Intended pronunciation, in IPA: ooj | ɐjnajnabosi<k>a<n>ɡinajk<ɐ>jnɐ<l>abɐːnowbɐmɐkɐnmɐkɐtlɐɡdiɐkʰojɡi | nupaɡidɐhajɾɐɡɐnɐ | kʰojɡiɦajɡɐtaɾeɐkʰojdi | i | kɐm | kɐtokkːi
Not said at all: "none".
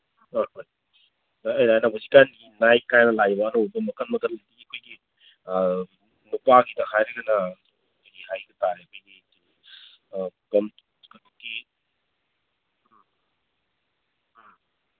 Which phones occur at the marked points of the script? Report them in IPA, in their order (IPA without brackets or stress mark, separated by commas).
k, n, a, l